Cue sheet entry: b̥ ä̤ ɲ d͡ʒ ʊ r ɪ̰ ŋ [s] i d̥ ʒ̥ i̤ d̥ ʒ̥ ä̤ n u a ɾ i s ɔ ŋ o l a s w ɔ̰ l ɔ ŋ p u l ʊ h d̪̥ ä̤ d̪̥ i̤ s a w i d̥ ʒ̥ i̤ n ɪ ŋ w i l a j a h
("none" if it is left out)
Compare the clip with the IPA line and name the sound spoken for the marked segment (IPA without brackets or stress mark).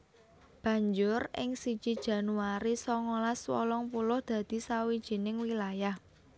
s